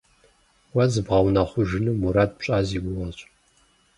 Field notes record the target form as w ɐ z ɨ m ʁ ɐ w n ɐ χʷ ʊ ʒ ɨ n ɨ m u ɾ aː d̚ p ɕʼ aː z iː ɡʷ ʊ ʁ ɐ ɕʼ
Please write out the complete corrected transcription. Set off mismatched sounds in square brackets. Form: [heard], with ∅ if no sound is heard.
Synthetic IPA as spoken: w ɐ z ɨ [b] ʁ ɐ w n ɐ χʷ ʊ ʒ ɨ n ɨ m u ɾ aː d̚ p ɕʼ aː z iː ɡʷ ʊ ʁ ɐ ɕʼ